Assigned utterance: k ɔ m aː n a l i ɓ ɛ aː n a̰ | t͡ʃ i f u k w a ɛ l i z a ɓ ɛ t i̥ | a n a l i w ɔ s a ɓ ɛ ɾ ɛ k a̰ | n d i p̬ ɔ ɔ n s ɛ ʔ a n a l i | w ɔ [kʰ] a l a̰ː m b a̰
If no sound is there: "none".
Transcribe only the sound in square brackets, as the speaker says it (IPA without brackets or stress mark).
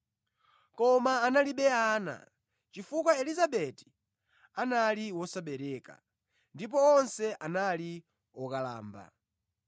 k